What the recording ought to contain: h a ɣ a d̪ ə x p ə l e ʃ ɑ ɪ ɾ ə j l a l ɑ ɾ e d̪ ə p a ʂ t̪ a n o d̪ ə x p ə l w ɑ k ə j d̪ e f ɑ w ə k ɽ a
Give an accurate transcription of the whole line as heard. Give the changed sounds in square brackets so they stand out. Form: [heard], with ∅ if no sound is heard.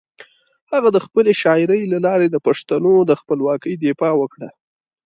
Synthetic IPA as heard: h a ɣ a d̪ ə x p ə l e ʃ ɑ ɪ ɾ ə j l a l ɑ ɾ e d̪ ə p a ʂ t̪ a n o d̪ ə x p ə l w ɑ k ə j d̪ e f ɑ w ə k ɽ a